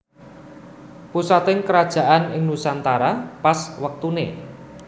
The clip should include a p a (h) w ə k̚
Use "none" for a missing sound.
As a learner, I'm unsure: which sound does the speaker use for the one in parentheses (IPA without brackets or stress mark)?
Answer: s